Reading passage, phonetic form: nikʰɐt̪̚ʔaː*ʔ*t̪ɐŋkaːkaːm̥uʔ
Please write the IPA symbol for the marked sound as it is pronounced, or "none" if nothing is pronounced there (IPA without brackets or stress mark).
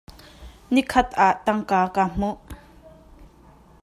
ʔ